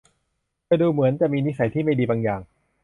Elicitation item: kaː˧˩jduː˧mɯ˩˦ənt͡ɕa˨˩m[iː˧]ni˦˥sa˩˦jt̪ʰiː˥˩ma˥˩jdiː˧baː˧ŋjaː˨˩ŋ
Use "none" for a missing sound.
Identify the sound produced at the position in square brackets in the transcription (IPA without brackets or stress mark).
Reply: iː˧